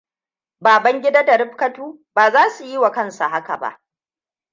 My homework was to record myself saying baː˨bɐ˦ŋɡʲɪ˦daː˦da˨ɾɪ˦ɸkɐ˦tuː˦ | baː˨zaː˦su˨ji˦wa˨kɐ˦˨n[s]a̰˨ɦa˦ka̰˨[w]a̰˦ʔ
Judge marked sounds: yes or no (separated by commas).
yes, no